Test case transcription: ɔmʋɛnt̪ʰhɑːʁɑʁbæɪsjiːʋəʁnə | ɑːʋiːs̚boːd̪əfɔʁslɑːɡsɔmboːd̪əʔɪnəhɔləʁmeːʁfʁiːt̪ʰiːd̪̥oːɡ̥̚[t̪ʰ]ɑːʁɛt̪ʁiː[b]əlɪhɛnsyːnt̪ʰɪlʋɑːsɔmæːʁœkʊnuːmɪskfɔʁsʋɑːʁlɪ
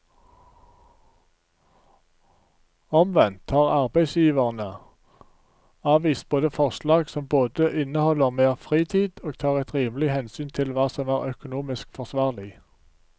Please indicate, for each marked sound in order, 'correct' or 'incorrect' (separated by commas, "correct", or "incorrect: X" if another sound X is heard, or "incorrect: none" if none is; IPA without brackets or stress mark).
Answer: correct, incorrect: m